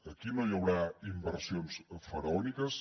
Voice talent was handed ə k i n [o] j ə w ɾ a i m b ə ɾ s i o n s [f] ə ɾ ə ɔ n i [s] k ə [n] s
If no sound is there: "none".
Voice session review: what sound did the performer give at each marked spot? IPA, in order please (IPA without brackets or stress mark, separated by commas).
o, f, none, none